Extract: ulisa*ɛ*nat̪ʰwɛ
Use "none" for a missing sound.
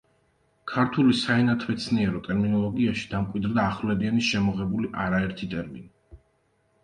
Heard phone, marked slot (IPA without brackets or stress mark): ɛ